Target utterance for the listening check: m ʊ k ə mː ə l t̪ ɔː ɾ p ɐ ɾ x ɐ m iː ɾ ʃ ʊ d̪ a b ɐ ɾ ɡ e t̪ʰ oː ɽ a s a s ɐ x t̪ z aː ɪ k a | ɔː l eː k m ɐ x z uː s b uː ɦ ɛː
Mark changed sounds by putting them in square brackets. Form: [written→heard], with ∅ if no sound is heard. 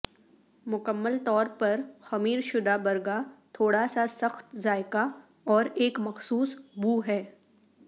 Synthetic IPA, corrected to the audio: m ʊ k ə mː ə l t̪ ɔː ɾ p ɐ ɾ x ɐ m iː ɾ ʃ ʊ d̪ a b ɐ ɾ ɡ [e→a] t̪ʰ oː ɽ a s a s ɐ x t̪ z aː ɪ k a | ɔː [l→ɾ] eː k m ɐ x [z→s] uː s b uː ɦ ɛː